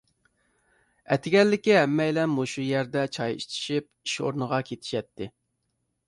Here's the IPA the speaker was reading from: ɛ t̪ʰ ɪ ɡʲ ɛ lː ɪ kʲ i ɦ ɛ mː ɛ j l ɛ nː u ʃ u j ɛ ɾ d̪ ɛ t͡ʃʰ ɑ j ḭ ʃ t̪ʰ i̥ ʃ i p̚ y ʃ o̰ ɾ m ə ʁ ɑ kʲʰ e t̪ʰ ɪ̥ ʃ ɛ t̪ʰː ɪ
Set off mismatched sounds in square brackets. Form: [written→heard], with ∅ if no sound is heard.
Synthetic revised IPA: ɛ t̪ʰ ɪ ɡʲ ɛ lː ɪ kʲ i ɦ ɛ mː ɛ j l ɛ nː u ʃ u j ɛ ɾ d̪ ɛ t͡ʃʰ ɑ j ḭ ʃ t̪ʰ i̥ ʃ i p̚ [y→i] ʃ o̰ ɾ [m→n] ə ʁ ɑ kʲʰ e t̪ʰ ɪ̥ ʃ ɛ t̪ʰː ɪ